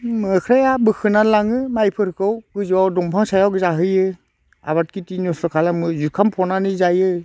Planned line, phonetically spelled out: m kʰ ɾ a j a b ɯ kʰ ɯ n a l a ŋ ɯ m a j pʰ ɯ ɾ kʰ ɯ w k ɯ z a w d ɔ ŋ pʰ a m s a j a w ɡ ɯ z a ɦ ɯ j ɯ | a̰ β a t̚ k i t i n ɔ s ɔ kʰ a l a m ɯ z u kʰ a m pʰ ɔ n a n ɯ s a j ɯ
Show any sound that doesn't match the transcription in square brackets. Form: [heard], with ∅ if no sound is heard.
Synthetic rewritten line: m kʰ ɾ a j a b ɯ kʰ ɯ n a l a ŋ ɯ m a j pʰ ɯ ɾ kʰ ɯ w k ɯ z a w d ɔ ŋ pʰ a [ŋ] s a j a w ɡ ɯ z a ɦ ɯ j ɯ | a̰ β a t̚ k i t i n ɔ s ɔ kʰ a l a m ɯ z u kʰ a m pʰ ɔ n a n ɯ [z] a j ɯ